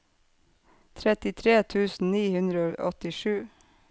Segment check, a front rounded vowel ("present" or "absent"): absent